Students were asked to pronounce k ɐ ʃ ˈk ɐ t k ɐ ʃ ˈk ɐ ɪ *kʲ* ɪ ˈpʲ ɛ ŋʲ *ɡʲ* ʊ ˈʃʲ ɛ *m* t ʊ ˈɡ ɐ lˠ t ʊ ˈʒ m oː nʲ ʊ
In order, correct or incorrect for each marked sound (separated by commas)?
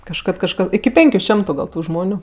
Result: correct, incorrect, correct